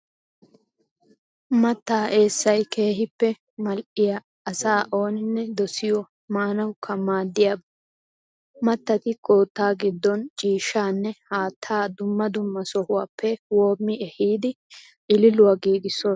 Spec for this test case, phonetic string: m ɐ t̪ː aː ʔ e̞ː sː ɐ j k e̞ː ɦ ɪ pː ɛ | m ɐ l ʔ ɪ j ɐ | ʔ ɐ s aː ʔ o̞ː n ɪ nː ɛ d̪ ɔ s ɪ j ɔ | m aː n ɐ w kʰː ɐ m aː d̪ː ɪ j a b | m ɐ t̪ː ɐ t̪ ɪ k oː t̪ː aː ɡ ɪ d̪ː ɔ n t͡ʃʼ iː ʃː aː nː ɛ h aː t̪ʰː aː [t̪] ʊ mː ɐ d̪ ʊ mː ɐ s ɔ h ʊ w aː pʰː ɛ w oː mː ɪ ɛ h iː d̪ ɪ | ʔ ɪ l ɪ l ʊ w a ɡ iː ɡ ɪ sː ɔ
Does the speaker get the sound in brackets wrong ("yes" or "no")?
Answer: yes